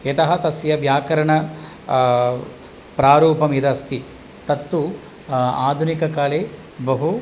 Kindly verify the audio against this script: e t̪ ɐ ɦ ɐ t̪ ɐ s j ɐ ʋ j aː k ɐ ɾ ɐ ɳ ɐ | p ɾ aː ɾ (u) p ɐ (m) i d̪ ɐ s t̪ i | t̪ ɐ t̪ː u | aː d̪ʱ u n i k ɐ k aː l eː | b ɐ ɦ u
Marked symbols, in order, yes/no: no, yes

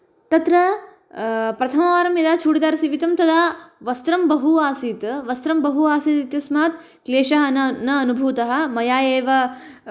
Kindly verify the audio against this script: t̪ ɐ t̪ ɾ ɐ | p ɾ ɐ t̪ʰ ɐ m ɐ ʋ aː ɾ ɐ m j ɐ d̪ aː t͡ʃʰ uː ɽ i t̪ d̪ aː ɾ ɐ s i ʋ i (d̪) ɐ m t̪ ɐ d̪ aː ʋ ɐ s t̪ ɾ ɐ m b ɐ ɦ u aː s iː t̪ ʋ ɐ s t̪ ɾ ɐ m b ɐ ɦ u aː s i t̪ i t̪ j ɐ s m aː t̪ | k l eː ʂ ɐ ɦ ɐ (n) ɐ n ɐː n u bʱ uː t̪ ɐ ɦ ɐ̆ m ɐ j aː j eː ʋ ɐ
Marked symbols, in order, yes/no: no, yes

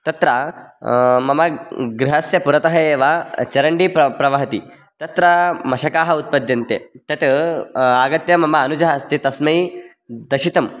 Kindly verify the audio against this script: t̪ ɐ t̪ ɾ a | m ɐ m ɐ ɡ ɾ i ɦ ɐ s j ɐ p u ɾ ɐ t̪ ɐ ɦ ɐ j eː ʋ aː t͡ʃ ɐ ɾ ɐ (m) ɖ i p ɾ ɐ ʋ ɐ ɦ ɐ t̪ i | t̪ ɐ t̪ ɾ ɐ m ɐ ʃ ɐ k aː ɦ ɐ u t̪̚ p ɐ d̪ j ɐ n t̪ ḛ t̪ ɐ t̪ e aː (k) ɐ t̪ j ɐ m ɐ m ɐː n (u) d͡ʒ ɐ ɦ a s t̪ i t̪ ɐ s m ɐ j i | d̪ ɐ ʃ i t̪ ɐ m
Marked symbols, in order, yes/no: no, no, yes

